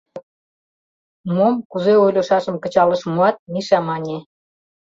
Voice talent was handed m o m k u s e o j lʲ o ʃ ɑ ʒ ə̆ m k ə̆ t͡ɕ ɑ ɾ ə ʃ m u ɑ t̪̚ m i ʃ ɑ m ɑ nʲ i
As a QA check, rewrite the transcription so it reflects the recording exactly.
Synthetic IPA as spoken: m o m k u z e o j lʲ o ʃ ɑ ʃ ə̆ m k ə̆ t͡ɕ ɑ l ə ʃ m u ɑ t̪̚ m i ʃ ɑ m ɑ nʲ e